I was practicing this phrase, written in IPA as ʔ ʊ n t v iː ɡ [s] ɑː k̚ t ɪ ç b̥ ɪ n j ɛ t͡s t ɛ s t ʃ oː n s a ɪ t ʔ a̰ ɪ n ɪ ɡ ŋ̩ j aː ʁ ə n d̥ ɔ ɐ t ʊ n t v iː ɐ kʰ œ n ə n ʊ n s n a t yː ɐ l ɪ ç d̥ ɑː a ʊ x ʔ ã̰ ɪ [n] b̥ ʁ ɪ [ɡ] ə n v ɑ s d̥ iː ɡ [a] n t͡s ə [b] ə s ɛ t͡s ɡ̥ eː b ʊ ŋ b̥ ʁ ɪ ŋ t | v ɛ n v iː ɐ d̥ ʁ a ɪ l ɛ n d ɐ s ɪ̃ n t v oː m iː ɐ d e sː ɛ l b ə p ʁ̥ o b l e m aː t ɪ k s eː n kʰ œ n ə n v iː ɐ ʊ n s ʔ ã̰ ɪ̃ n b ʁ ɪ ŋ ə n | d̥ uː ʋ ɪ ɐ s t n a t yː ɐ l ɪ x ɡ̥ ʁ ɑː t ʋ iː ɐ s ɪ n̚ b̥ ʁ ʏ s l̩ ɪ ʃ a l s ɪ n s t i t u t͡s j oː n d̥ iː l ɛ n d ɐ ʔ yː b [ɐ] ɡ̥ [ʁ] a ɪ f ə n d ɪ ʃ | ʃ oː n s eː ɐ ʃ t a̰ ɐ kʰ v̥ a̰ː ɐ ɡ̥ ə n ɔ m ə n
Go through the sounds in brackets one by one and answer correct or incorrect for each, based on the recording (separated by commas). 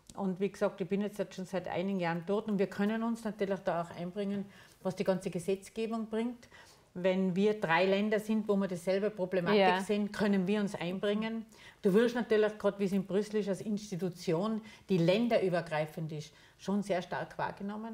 correct, correct, incorrect, incorrect, incorrect, correct, correct